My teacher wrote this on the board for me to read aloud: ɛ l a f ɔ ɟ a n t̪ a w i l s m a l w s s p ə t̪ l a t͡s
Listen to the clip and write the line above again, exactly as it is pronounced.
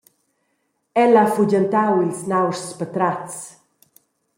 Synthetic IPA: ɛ l a f u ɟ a n t̪ a w i l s n a w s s p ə t̪ ɾ a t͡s